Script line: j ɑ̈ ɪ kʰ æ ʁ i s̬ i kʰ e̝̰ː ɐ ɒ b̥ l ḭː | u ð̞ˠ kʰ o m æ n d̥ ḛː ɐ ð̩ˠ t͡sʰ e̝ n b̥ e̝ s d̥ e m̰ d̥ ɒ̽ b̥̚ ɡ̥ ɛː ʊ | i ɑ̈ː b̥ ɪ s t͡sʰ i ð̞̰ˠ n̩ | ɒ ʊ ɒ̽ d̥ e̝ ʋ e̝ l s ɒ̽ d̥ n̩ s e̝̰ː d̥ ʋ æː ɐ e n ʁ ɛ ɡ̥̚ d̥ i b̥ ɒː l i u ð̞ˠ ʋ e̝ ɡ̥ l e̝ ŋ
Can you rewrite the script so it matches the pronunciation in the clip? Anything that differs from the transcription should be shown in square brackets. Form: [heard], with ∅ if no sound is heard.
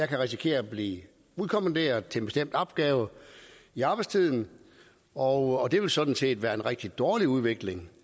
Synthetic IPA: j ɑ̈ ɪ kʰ æ ʁ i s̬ i kʰ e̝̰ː ɐ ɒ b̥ l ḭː | u ð̞ˠ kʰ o m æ n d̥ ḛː ɐ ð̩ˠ t͡sʰ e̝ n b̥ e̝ s d̥ e m̰ d̥ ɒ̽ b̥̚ ɡ̥ ɛː ʊ | i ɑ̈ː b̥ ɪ s t͡sʰ i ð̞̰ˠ n̩ | ɒ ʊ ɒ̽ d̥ e̝ ʋ e̝ l s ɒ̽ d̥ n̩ s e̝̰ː d̥ ʋ æː ɐ e n ʁ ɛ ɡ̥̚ d̥ i [d̥] ɒː l i u ð̞ˠ ʋ e̝ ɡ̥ l e̝ ŋ